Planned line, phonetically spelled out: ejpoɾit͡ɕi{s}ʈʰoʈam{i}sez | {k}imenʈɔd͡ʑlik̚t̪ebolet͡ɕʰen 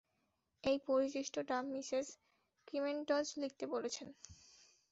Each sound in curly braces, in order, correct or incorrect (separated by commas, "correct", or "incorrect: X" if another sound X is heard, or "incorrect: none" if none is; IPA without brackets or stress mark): incorrect: ʃ, correct, correct